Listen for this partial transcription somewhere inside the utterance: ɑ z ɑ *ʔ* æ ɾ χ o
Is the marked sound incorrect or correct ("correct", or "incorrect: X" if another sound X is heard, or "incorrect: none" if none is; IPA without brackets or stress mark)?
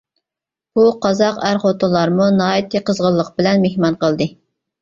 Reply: incorrect: q